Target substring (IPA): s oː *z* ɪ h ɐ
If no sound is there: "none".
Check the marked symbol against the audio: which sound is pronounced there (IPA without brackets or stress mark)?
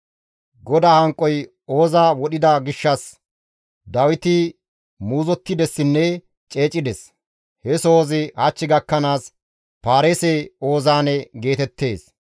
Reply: z